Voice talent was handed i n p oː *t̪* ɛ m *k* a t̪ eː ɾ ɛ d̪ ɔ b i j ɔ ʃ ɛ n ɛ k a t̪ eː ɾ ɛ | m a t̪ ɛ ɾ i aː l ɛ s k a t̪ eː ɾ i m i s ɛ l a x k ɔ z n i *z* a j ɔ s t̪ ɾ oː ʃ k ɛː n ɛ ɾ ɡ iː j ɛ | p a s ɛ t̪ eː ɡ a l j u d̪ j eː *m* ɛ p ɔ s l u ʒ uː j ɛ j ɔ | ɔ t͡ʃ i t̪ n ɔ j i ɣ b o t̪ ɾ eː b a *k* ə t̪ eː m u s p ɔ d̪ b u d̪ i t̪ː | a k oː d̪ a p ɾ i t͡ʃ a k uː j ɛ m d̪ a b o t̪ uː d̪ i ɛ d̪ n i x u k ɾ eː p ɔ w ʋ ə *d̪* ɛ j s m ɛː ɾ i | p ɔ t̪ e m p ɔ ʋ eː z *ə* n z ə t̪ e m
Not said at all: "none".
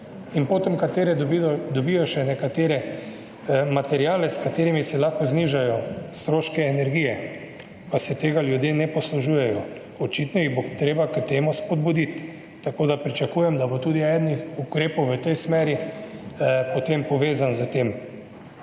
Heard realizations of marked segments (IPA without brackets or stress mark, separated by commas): t̪, k, ʒ, n, k, t̪, a